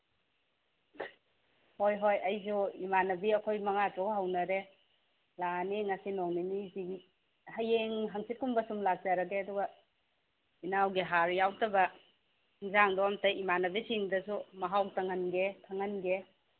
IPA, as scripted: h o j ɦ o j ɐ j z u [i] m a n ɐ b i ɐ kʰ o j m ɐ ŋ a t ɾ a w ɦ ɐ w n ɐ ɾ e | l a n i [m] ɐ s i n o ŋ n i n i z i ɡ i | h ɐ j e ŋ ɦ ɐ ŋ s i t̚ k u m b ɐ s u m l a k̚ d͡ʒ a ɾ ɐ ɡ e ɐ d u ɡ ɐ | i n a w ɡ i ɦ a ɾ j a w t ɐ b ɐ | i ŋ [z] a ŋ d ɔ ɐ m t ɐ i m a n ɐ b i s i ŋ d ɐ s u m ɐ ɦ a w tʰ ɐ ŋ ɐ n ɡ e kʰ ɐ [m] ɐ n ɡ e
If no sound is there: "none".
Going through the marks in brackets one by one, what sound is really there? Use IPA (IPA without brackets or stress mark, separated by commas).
i, ŋ, z, ŋ